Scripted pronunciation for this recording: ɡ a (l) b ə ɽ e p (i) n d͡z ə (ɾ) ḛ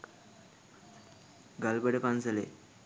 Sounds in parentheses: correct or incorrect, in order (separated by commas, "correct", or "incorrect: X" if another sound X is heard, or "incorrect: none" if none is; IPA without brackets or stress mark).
correct, incorrect: a, incorrect: l